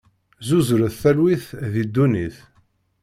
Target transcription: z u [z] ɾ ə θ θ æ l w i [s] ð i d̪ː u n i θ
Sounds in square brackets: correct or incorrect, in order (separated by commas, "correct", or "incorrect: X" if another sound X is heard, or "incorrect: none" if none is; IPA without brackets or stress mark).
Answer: correct, incorrect: θ